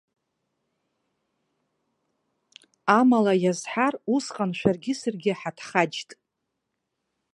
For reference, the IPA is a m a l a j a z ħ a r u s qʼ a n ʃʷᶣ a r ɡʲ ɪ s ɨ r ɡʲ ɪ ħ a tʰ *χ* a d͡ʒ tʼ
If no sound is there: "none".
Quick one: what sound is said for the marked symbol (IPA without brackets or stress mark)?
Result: χ